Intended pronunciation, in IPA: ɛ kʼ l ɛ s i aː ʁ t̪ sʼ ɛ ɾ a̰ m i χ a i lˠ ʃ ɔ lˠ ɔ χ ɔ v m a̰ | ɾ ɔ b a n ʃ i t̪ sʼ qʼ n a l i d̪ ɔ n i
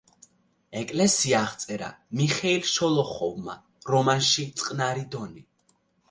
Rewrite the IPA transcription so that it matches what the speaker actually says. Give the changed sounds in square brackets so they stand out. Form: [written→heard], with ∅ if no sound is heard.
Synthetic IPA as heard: ɛ kʼ l ɛ s i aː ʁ t̪ sʼ ɛ ɾ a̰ m i χ [a→ɛ] i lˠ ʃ ɔ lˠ ɔ χ ɔ v m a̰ | ɾ ɔ [b→m] a n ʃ i t̪ sʼ qʼ n a [l→ɾ] i d̪ ɔ n i